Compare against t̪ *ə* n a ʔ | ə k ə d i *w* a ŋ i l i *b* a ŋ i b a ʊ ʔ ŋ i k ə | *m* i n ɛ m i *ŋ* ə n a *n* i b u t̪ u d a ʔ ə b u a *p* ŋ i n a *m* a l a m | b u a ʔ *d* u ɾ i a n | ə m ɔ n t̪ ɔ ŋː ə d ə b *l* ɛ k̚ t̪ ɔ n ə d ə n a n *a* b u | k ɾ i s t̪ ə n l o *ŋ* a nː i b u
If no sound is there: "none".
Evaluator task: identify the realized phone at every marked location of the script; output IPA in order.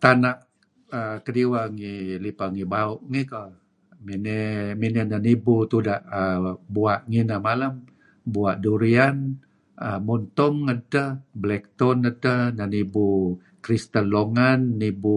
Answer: a, w, p, m, n, n, ʔ, m, d, l, i, ŋ

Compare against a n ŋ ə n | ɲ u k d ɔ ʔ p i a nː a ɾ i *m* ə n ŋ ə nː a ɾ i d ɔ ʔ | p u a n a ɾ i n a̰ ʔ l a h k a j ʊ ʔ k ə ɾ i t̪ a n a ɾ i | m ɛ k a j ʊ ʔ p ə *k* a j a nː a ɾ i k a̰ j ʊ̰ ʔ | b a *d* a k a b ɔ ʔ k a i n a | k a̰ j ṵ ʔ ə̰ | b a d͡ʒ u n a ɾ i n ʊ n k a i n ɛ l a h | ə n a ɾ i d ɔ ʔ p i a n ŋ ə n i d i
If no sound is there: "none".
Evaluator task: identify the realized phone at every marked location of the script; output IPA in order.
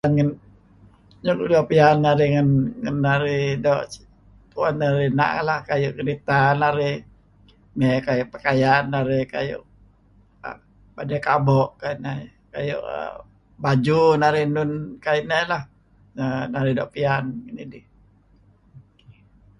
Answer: ŋ, k, d

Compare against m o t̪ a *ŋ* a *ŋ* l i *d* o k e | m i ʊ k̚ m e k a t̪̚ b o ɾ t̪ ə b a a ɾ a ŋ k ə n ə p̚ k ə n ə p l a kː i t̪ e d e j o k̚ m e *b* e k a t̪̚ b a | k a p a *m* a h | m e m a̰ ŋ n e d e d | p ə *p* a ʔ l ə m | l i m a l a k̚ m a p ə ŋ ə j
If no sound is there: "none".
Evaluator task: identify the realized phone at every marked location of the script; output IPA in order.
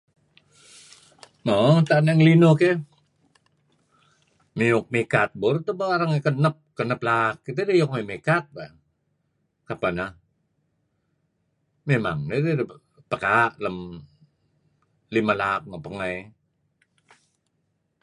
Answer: n, ŋ, n, m, n, k

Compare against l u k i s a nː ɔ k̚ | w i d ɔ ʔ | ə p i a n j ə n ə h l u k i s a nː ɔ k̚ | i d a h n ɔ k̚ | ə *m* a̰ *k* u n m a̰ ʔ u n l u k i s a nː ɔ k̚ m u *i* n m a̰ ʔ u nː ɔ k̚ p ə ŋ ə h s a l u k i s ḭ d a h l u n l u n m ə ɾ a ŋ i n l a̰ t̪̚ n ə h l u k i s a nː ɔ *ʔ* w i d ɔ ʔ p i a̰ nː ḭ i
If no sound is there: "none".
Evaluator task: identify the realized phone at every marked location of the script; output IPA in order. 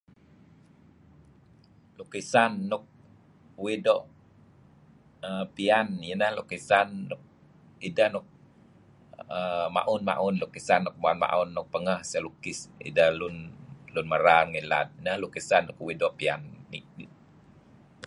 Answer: m, ʔ, a, k

